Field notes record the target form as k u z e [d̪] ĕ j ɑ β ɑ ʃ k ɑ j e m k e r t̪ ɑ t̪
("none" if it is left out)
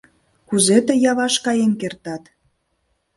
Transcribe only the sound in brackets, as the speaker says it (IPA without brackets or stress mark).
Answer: t̪